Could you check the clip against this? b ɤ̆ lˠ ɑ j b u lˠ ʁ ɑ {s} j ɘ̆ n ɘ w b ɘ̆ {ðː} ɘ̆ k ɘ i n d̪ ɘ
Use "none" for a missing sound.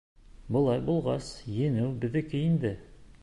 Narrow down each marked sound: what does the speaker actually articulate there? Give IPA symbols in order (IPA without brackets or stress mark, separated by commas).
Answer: s, ð